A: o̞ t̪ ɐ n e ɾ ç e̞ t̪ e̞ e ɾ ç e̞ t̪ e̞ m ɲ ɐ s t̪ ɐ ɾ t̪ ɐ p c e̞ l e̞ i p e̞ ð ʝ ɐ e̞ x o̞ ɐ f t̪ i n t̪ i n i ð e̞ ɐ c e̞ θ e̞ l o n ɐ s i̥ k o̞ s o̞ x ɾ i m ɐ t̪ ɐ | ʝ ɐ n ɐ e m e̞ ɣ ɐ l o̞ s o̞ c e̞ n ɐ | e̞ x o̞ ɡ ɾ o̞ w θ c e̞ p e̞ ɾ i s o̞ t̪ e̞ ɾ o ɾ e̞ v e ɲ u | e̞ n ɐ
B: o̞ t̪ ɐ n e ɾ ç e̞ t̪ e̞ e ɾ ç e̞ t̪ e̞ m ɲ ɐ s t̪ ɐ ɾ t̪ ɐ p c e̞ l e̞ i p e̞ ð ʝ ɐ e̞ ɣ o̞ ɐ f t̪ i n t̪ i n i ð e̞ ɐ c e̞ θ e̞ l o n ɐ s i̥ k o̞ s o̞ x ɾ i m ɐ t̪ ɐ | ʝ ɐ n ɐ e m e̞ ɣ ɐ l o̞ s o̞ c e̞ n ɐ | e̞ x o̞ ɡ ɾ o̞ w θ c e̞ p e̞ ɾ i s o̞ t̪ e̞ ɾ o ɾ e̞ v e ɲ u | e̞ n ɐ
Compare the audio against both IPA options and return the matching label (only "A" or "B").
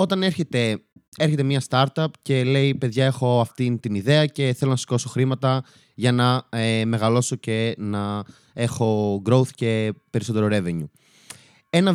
A